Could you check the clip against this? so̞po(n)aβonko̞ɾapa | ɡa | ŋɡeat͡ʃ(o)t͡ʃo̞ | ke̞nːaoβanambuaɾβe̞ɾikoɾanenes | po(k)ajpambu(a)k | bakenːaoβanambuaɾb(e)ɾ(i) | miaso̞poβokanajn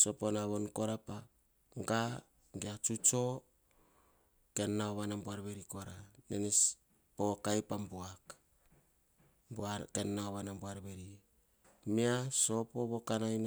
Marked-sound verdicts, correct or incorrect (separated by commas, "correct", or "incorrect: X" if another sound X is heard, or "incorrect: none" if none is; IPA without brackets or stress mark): correct, incorrect: u, correct, correct, correct, correct